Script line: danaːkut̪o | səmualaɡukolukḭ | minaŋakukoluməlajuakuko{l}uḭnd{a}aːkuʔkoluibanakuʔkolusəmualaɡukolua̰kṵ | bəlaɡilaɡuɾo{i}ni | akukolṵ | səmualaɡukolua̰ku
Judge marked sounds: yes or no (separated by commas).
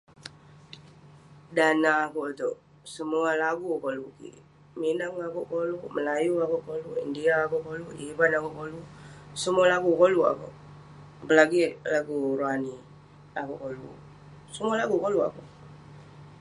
yes, no, no